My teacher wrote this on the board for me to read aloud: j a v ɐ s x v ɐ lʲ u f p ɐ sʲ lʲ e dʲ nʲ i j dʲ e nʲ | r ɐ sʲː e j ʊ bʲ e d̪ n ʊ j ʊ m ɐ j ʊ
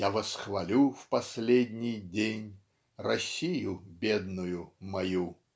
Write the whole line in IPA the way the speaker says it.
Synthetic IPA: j a v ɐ s x v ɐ lʲ u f p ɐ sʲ lʲ e dʲ nʲ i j dʲ e nʲ | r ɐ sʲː i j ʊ bʲ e d̪ n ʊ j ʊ m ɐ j u